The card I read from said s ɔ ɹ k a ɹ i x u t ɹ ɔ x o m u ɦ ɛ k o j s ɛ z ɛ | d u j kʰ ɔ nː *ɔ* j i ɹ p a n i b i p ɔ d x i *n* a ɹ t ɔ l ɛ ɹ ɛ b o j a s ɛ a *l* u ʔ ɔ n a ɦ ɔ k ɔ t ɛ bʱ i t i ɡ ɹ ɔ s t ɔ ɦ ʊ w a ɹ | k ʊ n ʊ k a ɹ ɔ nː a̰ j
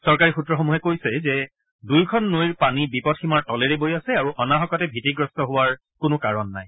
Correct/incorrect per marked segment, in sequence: incorrect, incorrect, incorrect

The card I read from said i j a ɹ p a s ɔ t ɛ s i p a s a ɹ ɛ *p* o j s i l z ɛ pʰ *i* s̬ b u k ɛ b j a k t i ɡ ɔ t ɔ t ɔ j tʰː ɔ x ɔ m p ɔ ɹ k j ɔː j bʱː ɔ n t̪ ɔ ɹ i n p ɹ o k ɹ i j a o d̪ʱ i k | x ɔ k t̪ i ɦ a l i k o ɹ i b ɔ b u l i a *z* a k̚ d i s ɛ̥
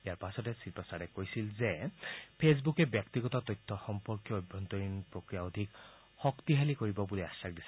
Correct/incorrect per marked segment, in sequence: incorrect, incorrect, incorrect

